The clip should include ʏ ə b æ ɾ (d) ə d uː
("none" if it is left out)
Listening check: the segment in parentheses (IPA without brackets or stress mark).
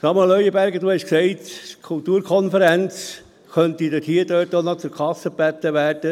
ɡ